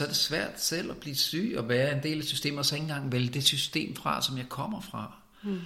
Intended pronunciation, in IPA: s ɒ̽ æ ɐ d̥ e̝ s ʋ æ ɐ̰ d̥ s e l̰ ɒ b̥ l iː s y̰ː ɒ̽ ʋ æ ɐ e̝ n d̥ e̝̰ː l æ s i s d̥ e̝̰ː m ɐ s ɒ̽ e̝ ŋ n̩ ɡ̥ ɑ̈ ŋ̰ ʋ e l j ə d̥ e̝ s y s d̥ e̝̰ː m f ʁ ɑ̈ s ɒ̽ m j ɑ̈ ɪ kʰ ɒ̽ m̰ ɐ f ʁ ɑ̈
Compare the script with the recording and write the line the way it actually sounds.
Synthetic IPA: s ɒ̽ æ ɐ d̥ e̝ s ʋ æ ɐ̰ d̥ s e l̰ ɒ b̥ l iː s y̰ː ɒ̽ ʋ æː ɐ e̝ n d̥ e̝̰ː l æ s y s d̥ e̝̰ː m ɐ s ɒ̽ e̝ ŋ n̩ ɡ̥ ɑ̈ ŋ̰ ʋ e l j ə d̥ e̝ s y s d̥ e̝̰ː m f ʁ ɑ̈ s ɒ̽ m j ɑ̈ ɪ kʰ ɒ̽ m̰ ɐ f ʁ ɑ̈